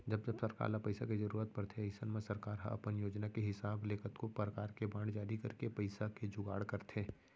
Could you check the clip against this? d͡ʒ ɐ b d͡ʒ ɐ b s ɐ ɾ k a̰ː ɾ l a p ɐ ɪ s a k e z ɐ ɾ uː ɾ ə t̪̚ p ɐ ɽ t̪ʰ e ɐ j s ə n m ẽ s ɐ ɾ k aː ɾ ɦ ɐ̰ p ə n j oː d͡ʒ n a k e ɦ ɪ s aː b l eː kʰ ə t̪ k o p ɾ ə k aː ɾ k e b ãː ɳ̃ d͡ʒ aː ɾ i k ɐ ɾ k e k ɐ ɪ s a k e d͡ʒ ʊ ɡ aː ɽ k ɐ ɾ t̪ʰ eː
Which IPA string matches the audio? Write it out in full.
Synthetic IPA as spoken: d͡ʒ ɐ b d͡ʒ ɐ b s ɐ ɾ k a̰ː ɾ l a p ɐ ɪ s a k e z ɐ ɾ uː ɾ ə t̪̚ p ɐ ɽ t̪ʰ e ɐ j s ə n m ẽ s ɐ ɾ k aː ɾ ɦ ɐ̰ p ə n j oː d͡ʒ n a k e ɦ ɪ s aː b l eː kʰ ə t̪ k o p ɾ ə k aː ɾ k e b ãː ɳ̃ d͡ʒ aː ɾ i k ɐ ɾ k e p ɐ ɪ s a k e d͡ʒ ʊ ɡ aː ɽ k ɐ ɾ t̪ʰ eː